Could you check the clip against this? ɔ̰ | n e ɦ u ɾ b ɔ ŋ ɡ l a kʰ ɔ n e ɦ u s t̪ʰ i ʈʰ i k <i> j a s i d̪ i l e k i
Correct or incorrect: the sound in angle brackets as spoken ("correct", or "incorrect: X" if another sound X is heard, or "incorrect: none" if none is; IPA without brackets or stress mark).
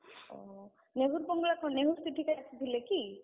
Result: incorrect: a